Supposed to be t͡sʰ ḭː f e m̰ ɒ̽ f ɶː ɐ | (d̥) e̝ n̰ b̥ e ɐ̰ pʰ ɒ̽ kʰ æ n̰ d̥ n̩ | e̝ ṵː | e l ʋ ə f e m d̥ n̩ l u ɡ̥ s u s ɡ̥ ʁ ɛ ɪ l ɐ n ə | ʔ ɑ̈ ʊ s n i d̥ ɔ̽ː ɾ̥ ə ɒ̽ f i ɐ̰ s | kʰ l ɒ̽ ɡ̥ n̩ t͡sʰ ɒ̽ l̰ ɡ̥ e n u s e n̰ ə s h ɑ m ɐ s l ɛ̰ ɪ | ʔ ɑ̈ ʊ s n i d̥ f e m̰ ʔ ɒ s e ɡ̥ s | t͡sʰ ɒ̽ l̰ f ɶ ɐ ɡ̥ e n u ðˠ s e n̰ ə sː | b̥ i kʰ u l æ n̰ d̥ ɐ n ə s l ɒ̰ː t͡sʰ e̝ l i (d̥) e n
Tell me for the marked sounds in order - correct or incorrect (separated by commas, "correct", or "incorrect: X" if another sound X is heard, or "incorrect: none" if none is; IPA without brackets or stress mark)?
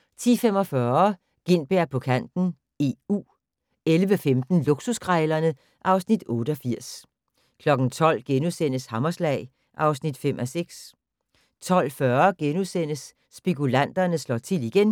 incorrect: ɡ̥, incorrect: ɡ̥